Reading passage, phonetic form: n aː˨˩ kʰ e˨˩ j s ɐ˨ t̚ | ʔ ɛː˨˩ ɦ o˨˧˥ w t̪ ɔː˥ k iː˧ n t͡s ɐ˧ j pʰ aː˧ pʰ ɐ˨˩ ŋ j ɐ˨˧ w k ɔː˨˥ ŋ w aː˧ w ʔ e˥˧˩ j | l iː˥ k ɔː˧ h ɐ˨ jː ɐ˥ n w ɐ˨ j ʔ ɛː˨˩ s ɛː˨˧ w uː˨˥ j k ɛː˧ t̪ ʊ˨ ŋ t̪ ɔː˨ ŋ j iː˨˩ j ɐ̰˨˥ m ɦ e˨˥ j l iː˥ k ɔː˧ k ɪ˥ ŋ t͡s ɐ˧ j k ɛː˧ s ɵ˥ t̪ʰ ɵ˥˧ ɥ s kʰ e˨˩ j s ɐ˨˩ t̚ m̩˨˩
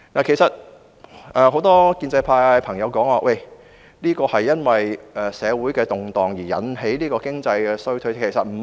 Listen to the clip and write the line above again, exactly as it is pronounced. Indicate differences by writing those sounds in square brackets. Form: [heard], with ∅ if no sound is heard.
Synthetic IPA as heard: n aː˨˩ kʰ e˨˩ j s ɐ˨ t̚ | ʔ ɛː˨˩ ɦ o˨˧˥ w t̪ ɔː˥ k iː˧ n t͡s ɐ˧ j pʰ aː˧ pʰ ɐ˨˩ ŋ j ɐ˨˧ w k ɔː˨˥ ŋ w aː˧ w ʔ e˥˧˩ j | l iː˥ k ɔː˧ h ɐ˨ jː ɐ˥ n w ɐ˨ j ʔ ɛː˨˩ s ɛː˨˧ w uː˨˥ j k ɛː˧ t̪ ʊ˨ ŋ t̪ ɔː˨ ŋ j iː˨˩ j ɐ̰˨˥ [n] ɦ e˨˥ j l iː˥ k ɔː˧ k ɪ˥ ŋ t͡s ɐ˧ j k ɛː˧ s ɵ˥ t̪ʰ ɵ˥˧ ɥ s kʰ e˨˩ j s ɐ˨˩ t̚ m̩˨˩

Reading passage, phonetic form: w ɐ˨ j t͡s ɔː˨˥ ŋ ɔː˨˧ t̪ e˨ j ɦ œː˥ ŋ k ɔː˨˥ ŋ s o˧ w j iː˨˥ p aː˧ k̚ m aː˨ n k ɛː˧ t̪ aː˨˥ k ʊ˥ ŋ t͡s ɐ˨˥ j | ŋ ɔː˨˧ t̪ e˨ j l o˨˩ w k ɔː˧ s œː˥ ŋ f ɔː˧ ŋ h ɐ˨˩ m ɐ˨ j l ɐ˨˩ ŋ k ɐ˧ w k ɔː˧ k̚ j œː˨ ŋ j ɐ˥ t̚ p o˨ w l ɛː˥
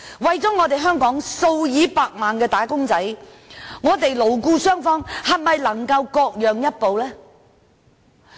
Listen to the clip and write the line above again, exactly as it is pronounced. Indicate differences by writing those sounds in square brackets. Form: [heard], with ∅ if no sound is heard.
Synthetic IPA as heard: w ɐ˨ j t͡s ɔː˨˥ ŋ ɔː˨˧ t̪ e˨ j ɦ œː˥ ŋ k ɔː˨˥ ŋ s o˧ w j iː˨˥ p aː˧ k̚ m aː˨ n k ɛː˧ t̪ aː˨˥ k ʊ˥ ŋ t͡s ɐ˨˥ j | ŋ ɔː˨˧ t̪ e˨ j l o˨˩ w k [uː˧] s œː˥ ŋ f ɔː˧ ŋ h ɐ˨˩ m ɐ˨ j l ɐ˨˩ ŋ k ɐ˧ w k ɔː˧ k̚ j œː˨ ŋ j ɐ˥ t̚ p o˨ w l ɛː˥

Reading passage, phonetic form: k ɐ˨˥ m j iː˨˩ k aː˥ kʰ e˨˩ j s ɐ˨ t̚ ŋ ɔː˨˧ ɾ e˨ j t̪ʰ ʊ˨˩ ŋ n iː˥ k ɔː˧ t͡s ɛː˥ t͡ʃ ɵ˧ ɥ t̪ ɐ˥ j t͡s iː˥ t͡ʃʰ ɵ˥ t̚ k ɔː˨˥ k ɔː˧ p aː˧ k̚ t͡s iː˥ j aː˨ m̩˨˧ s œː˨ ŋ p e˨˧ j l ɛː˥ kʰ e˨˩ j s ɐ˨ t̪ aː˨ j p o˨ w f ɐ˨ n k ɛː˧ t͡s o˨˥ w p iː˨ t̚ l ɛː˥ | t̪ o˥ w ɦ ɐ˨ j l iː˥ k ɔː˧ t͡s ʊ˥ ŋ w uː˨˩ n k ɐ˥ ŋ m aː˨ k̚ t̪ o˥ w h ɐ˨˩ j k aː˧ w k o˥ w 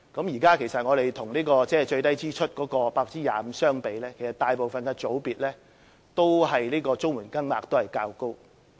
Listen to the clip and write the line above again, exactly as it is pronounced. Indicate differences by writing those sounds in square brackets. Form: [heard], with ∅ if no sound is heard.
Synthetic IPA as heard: k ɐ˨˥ m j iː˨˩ k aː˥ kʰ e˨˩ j s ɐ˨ t̚ ŋ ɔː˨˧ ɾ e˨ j t̪ʰ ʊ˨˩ ŋ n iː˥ k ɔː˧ t͡s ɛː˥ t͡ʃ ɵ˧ ɥ t̪ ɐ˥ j t͡s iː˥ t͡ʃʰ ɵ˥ t̚ k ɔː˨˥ k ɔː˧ p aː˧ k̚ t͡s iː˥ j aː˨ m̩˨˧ s [œː˥] ŋ p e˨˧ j l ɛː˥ kʰ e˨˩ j s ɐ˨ t̪ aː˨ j p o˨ w f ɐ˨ n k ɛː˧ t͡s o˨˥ w p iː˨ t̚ l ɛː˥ | t̪ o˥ w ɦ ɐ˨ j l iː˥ k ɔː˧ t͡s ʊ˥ ŋ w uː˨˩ n k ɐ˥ ŋ m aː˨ k̚ t̪ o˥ w h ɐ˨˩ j k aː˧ w k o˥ w

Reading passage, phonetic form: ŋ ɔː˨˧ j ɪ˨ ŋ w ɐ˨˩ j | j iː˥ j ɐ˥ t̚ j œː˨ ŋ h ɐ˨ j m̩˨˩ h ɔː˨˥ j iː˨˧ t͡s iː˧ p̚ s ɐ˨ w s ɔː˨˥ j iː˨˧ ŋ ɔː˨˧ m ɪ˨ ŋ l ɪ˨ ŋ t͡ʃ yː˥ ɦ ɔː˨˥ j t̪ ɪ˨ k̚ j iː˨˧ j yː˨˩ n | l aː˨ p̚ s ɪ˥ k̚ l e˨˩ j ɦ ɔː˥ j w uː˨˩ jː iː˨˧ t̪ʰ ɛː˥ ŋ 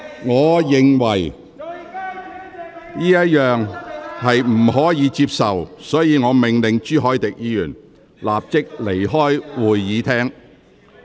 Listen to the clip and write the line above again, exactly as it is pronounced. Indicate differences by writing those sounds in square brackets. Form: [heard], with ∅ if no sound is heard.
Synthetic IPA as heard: ŋ ɔː˨˧ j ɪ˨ ŋ w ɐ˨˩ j | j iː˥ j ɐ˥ t̚ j œː˨ ŋ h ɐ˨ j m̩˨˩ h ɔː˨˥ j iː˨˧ t͡s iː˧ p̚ s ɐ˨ w s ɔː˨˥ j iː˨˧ ŋ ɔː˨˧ m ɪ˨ ŋ l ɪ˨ ŋ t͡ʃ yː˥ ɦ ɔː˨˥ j t̪ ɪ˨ k̚ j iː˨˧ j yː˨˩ n | l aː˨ p̚ [t͡s] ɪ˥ k̚ l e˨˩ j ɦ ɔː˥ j w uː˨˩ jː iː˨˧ t̪ʰ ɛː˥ ŋ

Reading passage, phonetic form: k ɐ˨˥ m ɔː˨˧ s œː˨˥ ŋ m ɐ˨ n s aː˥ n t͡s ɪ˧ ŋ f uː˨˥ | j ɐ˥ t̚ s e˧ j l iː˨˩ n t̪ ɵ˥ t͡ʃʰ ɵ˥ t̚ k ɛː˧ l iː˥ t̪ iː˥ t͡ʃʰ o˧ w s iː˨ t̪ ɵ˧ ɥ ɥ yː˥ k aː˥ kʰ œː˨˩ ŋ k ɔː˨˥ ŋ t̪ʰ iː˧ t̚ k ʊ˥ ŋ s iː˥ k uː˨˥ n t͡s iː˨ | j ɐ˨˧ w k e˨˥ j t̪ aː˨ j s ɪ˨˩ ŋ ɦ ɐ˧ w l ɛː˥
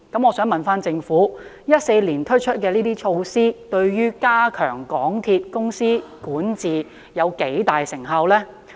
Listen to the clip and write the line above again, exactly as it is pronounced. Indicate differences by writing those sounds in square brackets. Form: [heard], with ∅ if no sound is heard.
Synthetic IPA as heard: k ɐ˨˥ m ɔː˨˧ s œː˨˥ ŋ m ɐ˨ n [f] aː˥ n t͡s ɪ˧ ŋ f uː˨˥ | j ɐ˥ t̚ s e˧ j l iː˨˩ n [t̪ʰ] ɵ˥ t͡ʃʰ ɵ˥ t̚ k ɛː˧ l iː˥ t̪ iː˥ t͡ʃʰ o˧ w s [iː˥] t̪ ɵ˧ ɥ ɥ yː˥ k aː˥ kʰ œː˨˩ ŋ k ɔː˨˥ ŋ t̪ʰ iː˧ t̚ k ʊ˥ ŋ s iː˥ k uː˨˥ n t͡s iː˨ | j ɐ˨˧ w k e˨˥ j t̪ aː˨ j s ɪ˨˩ ŋ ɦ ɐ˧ w l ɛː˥

